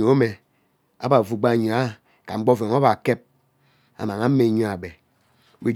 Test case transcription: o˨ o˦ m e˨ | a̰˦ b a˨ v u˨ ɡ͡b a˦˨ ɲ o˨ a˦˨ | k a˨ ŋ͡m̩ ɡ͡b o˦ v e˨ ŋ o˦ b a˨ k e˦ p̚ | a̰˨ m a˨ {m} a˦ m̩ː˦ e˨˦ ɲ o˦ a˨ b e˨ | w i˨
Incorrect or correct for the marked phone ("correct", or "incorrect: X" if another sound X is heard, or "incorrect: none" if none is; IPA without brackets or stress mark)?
incorrect: ŋ